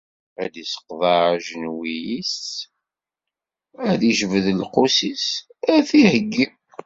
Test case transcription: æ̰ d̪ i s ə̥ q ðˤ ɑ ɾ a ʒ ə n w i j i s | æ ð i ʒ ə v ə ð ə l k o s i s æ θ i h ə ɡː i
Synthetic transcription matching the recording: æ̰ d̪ i s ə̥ q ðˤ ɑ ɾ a ʒ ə n w i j i s | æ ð i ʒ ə v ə ð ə l q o s i s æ θ i h ə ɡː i

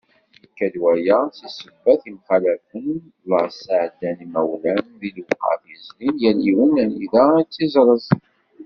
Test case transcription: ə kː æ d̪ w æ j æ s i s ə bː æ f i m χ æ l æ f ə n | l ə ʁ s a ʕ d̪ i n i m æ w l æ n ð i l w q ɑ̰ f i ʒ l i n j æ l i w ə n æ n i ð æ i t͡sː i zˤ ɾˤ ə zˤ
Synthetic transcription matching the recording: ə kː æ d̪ w æ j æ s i s ə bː æ θ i m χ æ l æ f ə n | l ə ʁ s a ʕ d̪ æ n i m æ w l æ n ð i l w q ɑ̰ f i z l i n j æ l i w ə n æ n i ð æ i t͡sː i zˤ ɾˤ ə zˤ

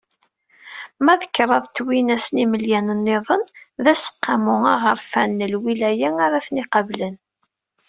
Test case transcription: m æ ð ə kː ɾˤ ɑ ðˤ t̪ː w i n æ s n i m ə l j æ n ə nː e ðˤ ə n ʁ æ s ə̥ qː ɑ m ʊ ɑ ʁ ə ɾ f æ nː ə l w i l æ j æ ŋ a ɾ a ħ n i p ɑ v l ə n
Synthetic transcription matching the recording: m æ ð ə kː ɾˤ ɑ ðˤ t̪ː w i n æ s n i m ə l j æ n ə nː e ðˤ ə n ð æ s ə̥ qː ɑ m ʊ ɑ ʁ ə ɾ f æ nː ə l w i l æ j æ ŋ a ɾ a θ n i q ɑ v l ə n

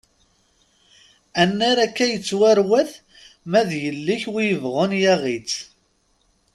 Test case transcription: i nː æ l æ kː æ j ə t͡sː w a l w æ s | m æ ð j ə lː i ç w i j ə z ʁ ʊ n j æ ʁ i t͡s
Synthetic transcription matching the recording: æ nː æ ɾ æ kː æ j ə t͡sː w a ɾ w æ θ | m æ ð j ə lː i ç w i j ə v ʁ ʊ n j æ ʁ i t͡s

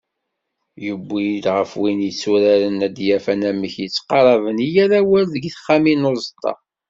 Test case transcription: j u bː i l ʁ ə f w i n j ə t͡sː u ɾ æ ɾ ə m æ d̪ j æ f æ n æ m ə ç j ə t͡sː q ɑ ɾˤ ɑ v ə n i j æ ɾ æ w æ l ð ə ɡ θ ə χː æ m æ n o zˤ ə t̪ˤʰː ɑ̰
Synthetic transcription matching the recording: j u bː i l ʁ ə f w i n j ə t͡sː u ɾ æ ɾ ə n æ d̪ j æ f æ n æ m ə ç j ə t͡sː q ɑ ɾˤ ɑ v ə n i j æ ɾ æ w æ l ð ə ɡ θ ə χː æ m i n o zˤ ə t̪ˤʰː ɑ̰

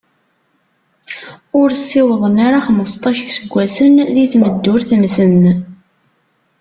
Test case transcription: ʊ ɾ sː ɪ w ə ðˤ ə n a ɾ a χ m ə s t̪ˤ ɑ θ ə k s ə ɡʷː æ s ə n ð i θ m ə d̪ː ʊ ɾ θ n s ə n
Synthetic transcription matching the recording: ʊ ɾ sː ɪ w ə ðˤ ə n a ɾ a χ m ə s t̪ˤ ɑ ʃ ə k s ə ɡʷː æ s ə n ð i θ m ə d̪ː ʊ ɾ θ n s ə n

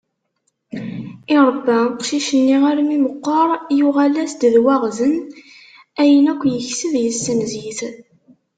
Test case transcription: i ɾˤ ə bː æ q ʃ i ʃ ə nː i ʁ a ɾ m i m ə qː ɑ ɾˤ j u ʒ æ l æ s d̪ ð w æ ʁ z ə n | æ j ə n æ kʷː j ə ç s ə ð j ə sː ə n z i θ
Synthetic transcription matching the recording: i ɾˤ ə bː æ q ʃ i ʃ ə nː i ʁ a ɾ m i m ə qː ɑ ɾˤ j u ʁ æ l æ s d̪ ð w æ ʁ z ə n | æ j ə n æ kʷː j ə ç s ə ð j ə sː ə n z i θ

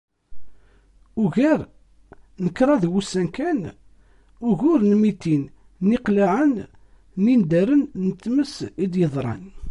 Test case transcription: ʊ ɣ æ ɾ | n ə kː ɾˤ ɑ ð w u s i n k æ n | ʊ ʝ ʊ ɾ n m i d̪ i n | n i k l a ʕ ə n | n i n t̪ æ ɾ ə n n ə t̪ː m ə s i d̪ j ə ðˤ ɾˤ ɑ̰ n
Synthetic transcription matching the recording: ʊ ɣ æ ɾ | n ə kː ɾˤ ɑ ð w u s æ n k æ n | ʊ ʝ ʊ ɾ n m i t̪ i n | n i q l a ʕ ə n | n i n d̪ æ ɾ ə n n ə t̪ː m ə s i d̪ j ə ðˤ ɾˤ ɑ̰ n

